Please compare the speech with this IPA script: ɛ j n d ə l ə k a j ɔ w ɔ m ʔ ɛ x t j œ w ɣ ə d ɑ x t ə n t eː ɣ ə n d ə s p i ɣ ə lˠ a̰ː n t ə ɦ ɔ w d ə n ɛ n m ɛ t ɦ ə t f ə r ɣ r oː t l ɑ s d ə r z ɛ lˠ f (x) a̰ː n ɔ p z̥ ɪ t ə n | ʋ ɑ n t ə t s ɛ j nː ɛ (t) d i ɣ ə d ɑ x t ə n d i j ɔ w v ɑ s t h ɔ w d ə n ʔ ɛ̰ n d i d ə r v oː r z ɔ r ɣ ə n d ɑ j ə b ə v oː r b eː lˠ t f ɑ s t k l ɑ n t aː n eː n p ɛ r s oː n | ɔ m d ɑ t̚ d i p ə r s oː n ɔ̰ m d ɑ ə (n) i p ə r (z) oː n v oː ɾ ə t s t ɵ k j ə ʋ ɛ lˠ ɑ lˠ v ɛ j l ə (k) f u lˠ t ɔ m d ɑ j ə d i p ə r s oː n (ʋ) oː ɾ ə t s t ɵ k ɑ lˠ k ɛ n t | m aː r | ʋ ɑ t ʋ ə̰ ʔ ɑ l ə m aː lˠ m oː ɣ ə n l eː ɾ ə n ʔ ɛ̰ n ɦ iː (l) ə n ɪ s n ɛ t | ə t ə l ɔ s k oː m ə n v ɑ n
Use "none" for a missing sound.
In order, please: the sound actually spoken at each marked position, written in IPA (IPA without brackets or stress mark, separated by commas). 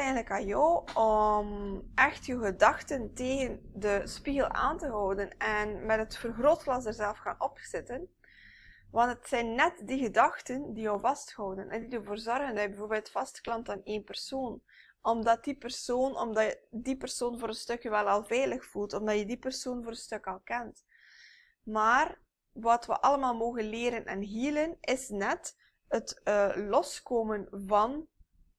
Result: x, t, d, s, x, v, l